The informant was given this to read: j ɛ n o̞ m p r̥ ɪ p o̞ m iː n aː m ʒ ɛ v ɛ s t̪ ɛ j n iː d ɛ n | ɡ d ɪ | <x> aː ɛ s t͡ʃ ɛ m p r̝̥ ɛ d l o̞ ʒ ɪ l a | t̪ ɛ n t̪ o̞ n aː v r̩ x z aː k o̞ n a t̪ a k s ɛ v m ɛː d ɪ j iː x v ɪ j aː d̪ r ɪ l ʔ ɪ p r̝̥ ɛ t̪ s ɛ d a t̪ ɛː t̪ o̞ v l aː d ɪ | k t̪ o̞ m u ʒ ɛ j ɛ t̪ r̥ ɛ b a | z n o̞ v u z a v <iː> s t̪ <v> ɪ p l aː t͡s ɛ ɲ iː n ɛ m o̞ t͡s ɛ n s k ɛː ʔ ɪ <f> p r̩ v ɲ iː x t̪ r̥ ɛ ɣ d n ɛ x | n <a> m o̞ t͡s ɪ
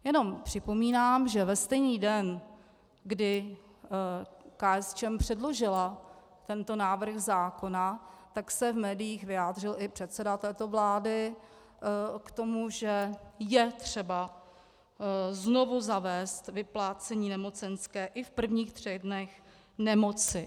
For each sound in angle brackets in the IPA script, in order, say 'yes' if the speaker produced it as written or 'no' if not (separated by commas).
no, no, yes, yes, no